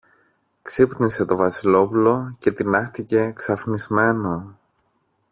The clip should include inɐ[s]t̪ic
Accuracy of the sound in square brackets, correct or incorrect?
incorrect